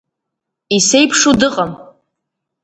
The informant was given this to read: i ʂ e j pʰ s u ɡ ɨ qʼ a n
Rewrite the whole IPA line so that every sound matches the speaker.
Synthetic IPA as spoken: i s e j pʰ ʂ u d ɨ qʼ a m